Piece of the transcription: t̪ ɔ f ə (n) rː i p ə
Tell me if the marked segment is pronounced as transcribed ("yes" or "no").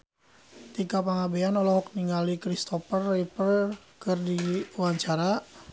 no